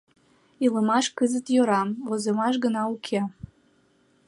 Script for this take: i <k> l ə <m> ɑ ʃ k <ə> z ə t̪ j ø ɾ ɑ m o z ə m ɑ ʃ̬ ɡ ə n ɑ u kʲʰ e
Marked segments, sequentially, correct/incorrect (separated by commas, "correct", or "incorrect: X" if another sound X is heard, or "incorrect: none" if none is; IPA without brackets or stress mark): incorrect: none, correct, correct